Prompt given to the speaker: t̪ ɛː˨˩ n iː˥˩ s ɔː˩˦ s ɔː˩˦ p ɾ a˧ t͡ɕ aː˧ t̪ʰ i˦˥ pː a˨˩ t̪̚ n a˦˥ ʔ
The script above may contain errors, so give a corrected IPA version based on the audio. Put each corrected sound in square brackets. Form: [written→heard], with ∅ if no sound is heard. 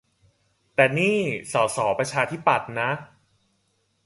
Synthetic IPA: t̪ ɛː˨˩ n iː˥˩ s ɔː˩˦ s ɔː˩˦ p ɾ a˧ [t͡ɕ→t͡ɕʰ] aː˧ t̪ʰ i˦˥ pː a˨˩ t̪̚ n a˦˥ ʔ